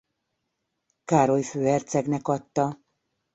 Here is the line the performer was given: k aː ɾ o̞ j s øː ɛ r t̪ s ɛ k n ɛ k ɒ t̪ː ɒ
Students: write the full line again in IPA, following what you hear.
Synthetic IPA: k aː ɾ o̞ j f øː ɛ r t̪ s ɛ ɡ n ɛ k ɒ t̪ː ɒ